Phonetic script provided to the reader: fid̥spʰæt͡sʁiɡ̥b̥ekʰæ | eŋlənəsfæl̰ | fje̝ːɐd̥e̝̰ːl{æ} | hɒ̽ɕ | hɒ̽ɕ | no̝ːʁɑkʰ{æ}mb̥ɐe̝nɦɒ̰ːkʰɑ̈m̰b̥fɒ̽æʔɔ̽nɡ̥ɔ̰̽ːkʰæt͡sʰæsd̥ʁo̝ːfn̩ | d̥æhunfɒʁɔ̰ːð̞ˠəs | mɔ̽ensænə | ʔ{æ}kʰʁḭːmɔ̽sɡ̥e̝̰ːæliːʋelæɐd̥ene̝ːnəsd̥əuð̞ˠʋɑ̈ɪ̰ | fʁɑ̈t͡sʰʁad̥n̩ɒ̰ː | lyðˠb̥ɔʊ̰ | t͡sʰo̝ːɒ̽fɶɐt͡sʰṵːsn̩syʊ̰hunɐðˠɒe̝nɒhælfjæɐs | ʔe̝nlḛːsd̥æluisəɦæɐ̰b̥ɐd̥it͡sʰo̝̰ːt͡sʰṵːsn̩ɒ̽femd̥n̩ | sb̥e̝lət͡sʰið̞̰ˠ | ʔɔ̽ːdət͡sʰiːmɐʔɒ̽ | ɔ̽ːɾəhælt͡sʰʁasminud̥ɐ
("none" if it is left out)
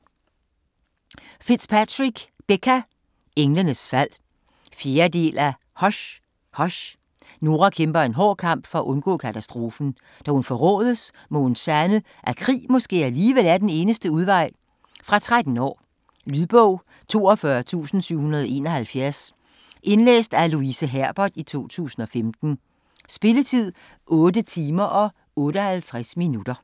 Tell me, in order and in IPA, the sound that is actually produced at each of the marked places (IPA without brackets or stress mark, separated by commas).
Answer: æ, e, æ